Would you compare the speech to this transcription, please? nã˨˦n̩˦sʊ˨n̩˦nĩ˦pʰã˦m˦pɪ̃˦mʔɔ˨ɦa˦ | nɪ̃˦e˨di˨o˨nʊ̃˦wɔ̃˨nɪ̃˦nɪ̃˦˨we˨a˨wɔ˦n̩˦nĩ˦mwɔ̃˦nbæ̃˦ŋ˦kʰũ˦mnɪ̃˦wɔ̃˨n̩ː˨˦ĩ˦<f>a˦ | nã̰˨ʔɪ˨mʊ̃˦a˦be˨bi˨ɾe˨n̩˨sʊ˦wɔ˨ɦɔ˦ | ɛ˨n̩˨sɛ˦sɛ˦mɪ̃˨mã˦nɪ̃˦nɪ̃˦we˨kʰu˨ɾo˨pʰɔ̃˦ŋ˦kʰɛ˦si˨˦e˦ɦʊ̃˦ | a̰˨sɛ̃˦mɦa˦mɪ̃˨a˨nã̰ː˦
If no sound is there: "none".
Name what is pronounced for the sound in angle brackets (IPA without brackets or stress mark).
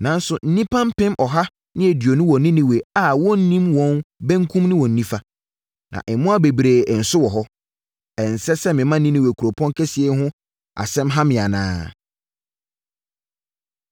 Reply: f